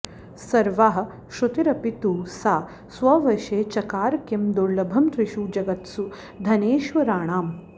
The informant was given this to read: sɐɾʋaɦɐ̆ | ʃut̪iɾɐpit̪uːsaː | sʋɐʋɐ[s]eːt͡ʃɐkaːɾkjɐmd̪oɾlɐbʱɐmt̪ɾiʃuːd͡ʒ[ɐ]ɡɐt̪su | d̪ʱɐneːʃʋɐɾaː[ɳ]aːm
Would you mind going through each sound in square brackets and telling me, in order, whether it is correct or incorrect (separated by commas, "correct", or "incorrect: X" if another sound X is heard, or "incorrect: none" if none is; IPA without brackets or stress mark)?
incorrect: ʃ, correct, correct